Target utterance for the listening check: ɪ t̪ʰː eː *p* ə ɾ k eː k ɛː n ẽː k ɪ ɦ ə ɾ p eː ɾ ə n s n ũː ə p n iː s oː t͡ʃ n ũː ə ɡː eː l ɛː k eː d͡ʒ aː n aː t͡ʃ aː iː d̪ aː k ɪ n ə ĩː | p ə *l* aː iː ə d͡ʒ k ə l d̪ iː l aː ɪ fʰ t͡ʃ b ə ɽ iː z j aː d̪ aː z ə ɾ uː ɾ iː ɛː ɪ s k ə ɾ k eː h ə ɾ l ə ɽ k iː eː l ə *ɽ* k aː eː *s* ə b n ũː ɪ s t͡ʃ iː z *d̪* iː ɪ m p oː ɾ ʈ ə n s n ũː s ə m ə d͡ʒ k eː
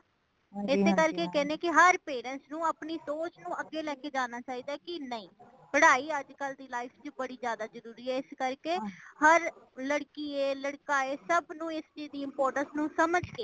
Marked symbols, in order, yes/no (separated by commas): no, no, yes, yes, yes